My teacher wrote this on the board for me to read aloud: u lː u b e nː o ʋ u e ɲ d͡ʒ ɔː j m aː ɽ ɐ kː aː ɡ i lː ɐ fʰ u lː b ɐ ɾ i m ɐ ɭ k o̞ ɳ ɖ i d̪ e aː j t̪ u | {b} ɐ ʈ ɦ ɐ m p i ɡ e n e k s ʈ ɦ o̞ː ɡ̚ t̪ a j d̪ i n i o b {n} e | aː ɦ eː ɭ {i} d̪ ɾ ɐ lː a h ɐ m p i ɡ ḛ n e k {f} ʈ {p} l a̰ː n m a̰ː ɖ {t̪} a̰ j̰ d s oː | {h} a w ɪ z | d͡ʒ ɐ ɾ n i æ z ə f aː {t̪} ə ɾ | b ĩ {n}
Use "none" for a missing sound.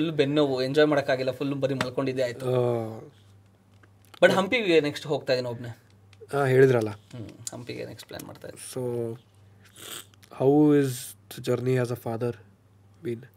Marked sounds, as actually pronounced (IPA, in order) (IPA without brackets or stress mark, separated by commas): b, n, i, s, p, t̪, h, d̪, n